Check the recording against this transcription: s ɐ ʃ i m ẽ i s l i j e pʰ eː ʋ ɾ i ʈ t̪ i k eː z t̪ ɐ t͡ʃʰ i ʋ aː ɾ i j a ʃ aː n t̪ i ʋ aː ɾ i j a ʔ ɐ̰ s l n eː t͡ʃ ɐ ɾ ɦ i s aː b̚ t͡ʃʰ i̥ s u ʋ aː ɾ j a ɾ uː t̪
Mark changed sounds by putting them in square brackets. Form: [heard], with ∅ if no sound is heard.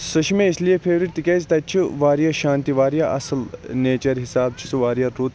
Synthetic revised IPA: s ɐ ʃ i m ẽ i s l i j e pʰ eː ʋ ɾ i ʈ t̪ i k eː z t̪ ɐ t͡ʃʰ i ʋ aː ɾ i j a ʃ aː n t̪ i ʋ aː ɾ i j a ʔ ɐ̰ s l n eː t͡ʃ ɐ ɾ ɦ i s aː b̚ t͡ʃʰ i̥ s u ʋ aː ɾ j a ɾ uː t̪